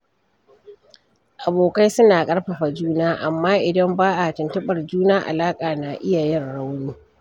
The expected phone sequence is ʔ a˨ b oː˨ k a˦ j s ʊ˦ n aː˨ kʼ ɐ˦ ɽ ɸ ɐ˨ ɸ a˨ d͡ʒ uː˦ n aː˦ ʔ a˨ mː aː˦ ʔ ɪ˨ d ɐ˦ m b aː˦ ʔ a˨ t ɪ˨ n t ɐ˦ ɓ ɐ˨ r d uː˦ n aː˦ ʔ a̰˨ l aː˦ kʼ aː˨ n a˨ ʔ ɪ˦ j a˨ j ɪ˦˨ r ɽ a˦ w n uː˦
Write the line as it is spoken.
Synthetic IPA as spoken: ʔ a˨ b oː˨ k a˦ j s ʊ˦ n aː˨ kʼ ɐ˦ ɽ ɸ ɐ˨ ɸ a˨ d͡ʒ uː˦ n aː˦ ʔ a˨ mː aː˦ ʔ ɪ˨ d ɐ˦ m b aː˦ ʔ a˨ t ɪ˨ n t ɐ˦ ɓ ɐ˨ r d͡ʒ uː˦ n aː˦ ʔ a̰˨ l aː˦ kʼ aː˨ n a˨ ʔ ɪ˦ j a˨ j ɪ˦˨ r ɽ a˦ w n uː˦